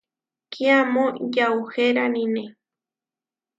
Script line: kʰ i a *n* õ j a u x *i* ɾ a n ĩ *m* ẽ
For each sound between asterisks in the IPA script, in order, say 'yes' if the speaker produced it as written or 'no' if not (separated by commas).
no, no, no